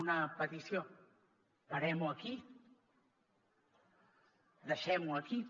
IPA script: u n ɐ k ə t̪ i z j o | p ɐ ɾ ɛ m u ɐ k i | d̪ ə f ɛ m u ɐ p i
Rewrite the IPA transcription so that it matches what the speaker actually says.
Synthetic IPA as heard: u n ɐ p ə t̪ i s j o | p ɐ ɾ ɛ m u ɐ k i | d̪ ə ʃ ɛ m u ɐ k i